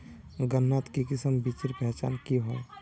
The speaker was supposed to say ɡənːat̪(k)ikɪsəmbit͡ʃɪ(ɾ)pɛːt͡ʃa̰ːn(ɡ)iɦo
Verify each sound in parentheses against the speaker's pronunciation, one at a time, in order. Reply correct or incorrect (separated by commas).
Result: correct, correct, incorrect